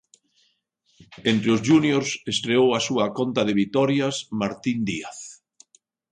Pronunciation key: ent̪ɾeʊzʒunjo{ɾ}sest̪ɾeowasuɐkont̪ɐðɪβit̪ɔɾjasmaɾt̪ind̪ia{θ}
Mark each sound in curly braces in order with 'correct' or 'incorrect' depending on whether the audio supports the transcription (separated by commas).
correct, correct